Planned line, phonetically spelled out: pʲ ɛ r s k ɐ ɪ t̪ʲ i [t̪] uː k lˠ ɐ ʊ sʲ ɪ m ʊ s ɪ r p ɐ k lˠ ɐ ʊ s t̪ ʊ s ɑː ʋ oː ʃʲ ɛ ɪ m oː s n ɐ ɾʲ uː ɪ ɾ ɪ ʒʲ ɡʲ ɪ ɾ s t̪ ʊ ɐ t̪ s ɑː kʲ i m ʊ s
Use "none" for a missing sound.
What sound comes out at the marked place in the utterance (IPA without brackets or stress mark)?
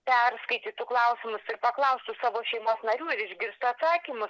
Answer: t̪